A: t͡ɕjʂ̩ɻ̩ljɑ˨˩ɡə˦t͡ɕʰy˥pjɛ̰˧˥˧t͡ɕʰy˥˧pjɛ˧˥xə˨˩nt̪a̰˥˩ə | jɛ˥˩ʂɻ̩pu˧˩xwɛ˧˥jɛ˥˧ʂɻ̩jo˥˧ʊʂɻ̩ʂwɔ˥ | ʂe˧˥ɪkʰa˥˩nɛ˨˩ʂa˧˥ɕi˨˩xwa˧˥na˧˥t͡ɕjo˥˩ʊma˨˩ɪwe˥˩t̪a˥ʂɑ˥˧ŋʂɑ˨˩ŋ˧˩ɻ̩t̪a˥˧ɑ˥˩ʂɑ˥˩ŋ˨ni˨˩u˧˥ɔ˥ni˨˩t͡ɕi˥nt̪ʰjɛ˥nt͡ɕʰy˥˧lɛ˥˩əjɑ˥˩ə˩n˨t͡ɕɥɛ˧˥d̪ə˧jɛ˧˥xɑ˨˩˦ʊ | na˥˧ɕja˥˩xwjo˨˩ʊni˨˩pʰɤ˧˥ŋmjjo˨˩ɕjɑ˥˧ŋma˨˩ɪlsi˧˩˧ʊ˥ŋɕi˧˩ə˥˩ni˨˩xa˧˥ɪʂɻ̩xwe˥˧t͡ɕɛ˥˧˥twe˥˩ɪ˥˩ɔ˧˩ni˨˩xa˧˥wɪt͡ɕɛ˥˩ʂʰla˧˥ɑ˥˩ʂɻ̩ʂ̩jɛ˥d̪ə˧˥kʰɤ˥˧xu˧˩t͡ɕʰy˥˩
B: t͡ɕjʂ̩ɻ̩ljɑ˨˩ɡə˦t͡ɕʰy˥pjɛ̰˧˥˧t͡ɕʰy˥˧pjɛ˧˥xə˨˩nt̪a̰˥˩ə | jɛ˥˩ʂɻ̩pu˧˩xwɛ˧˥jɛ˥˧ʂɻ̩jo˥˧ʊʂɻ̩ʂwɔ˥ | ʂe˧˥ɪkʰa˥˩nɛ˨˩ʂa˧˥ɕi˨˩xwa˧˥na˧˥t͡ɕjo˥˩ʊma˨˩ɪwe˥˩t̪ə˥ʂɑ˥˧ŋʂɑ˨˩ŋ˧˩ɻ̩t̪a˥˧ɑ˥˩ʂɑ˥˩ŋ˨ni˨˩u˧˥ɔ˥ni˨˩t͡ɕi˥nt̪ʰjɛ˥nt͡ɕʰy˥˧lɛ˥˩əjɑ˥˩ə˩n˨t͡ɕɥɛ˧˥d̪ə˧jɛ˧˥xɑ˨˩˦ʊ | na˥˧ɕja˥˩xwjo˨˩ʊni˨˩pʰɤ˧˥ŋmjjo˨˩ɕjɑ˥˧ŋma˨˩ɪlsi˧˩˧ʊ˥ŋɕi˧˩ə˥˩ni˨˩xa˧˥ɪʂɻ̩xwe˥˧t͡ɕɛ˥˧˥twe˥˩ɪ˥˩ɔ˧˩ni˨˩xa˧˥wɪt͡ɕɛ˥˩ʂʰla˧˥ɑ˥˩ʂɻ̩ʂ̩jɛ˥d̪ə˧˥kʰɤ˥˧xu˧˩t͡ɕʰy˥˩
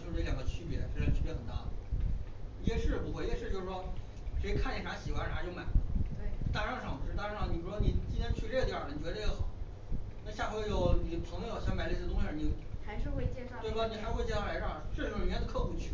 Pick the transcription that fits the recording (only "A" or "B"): A